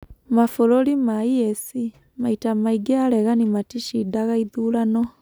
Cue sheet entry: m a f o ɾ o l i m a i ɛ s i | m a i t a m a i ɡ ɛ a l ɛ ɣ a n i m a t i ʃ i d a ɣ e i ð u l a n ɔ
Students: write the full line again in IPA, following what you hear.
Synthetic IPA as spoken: m a f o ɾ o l i m a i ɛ s i | m a i t a m a i ɡ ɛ a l ɛ ɣ a n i m a t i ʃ i d a ɣ a i ð u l a n ɔ